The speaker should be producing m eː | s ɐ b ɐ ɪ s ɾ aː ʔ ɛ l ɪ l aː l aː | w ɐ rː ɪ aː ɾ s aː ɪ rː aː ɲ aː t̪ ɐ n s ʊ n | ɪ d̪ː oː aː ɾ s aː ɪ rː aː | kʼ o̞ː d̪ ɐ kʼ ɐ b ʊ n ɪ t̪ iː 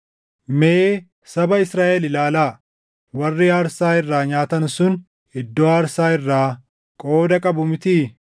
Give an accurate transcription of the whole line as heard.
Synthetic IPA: m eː | s ɐ b ɐ ɪ s ɾ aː ʔ ɛ l ɪ l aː l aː | w ɐ rː ɪ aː ɾ s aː ɪ rː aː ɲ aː t̪ ɐ n s ʊ n | ɪ d̪ː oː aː ɾ s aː ɪ rː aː | kʼ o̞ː d̪ ɐ kʼ ɐ b ʊ m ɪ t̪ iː